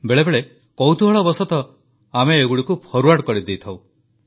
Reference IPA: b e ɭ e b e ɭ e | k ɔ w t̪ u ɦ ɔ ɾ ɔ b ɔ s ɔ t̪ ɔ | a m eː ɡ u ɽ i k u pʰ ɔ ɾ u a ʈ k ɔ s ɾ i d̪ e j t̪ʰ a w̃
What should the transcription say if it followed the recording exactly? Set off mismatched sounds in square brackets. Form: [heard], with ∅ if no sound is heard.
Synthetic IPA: b e ɭ e b e ɭ e | k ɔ w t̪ u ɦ ɔ [ɭ] ɔ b ɔ s ɔ t̪ ɔ | a m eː ɡ u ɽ i k u pʰ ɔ ɾ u a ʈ k ɔ [∅] ɾ i d̪ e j t̪ʰ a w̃